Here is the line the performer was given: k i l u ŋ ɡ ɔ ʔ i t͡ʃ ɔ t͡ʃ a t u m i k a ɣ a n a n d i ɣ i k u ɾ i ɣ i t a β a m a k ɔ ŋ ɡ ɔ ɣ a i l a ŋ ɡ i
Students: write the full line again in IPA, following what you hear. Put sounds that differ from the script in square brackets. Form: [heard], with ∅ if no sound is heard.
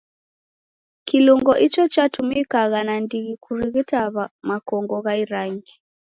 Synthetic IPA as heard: k i l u ŋ ɡ ɔ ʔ i t͡ʃ ɔ t͡ʃ a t u m i k a ɣ a n a n d i ɣ i k u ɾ i ɣ i t a β a m a k ɔ ŋ ɡ ɔ ɣ a i [ɾ] a ŋ ɡ i